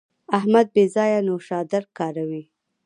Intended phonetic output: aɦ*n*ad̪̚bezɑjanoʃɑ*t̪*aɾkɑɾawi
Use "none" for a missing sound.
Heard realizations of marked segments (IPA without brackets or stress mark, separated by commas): m, d̪